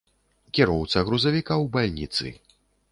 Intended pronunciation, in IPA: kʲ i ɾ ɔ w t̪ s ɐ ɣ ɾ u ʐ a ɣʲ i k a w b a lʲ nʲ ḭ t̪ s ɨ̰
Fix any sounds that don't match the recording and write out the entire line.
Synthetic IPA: kʲ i ɾ ɔ w t̪ s ɐ ɣ ɾ u z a vʲ i k a w b a lʲ nʲ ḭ t̪ s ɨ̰

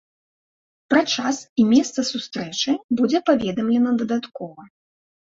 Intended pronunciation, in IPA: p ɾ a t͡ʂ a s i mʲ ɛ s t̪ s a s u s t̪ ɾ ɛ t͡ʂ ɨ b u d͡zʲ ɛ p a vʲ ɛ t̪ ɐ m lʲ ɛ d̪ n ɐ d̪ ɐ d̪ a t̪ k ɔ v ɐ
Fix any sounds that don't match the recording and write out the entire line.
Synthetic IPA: p ɾ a t͡ʂ a s i mʲ ɛ s t̪ s ɐ s u s t̪ ɾ ɛ t͡ʂ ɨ b u d͡zʲ ɛ p a vʲ ɛ d̪ ɐ m lʲ ɛ n ɐ d̪ ɐ d̪ a t̪ k ɔ v ɐ

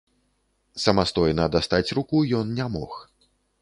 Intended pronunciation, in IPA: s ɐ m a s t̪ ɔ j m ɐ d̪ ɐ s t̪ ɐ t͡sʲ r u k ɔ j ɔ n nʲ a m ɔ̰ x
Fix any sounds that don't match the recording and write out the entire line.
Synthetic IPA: s ɐ m a s t̪ ɔ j n ɐ d̪ a s t̪ a t͡sʲ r u k u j ɔ n nʲ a m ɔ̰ x

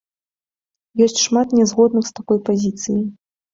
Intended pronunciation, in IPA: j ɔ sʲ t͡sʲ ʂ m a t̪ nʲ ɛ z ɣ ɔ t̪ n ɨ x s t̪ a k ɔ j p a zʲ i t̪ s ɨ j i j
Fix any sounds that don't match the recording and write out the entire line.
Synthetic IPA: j ɔ sʲ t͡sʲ ʂ m a t̪ nʲ ɛ z ɣ ɔ d̪ n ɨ x s t̪ a k ɔ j p a zʲ i t̪ s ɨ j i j

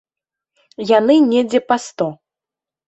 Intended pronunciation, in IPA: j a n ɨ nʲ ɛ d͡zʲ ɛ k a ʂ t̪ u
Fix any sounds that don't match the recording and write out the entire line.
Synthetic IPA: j a n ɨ nʲ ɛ d͡zʲ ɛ p a s t̪ ɔ

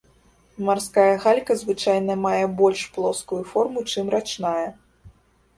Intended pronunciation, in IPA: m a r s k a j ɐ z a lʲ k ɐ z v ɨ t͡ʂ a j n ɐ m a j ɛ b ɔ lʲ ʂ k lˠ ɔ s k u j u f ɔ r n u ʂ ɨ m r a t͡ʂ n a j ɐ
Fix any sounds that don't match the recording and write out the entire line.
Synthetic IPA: m a r s k a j ɐ ɣ a lʲ k ɐ z v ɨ t͡ʂ a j n ɐ m a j ɛ b ɔ lʲ ʂ p lˠ ɔ s k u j u f ɔ r m u t͡ʂ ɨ m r a t͡ʂ n a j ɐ

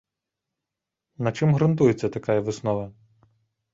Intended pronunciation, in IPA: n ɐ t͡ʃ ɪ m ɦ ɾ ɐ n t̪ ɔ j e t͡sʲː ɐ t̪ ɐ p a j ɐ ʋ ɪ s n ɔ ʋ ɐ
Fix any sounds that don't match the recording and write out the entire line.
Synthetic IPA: n ɐ t͡ʃ ɪ m ɦ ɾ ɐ n t̪ u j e t͡sʲː ɐ t̪ ɐ k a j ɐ ʋ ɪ s n ɔ ʋ ɐ

